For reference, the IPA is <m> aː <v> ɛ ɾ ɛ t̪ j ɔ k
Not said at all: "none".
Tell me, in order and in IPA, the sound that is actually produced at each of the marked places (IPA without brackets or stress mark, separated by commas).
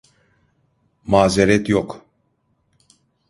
m, z